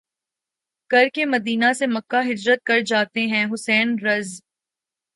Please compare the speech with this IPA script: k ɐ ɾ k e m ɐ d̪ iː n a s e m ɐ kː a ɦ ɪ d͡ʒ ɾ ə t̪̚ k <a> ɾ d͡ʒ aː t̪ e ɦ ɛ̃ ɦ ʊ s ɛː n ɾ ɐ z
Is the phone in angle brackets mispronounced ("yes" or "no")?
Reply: yes